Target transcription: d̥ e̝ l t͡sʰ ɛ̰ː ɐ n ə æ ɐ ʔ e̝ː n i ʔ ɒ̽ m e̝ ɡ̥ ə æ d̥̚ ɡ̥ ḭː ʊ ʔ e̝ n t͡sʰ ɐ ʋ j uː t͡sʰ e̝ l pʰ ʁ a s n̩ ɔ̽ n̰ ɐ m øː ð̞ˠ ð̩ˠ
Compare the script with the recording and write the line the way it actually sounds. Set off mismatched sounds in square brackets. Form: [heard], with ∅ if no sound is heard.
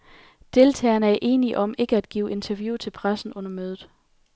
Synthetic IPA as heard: d̥ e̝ l t͡sʰ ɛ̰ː ɐ n ə æ ɐ ʔ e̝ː n i ʔ ɒ̽ m e̝ ɡ̥ ə æ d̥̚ ɡ̥ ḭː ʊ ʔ e̝ n t͡sʰ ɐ ʋ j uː t͡sʰ e̝ l pʰ ʁ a s n̩ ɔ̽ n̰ ɐ m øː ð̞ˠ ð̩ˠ